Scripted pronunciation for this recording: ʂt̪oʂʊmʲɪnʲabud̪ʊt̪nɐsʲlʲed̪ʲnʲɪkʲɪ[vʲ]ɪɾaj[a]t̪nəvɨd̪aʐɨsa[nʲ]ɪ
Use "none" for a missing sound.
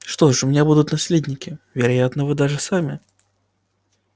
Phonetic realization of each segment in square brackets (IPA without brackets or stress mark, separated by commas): vʲ, a, mʲ